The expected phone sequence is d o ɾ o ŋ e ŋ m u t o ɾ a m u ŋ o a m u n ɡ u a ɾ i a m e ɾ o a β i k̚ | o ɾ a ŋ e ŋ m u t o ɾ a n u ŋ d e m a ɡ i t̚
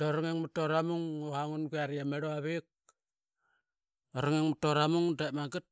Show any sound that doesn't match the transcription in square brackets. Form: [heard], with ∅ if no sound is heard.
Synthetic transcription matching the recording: d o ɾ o ŋ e ŋ m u t o ɾ a m u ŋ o a [ŋ] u n ɡ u a ɾ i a m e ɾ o a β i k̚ | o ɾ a ŋ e ŋ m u t o ɾ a [m] u ŋ d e m a ɡ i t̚